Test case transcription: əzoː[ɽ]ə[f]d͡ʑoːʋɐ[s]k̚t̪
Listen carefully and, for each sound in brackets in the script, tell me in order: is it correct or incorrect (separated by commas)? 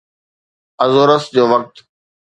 incorrect, incorrect, incorrect